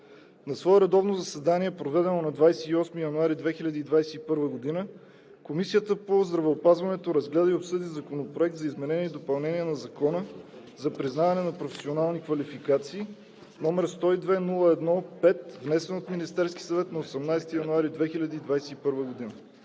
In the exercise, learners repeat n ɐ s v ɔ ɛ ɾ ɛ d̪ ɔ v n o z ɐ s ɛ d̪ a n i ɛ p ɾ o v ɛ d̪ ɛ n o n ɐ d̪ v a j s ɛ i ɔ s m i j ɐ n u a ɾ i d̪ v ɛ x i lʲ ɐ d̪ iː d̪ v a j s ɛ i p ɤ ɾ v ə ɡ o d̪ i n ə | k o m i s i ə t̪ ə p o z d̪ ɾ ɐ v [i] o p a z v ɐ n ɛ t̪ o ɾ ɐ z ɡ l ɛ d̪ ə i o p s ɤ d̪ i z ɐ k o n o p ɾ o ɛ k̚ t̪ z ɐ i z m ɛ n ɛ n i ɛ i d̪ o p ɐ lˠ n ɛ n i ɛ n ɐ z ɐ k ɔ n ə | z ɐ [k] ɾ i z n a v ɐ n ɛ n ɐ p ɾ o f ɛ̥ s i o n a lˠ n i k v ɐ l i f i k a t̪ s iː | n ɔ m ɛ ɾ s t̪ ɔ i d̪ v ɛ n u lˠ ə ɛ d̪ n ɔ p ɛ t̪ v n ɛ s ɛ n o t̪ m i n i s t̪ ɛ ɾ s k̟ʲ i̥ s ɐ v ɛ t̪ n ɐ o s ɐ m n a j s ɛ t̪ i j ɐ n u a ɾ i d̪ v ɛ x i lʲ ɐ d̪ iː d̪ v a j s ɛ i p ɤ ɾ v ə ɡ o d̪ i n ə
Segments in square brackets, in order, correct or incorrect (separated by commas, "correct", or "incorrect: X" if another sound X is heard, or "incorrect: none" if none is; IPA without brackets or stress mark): incorrect: ɛ, incorrect: p